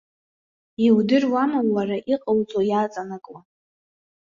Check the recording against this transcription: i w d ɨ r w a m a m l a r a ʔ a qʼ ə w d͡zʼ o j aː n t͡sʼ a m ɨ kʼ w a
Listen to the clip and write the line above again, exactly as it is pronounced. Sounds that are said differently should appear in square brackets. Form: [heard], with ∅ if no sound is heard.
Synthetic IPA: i w d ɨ r w a m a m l a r a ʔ [i] qʼ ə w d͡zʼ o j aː [∅] t͡sʼ a [n] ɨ kʼ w a